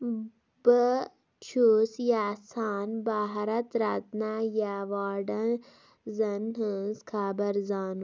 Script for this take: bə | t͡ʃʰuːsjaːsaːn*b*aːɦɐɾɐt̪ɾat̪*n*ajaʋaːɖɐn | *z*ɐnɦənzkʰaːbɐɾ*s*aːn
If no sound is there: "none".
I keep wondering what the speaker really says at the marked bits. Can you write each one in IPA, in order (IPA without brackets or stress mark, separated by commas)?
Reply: b, n, z, z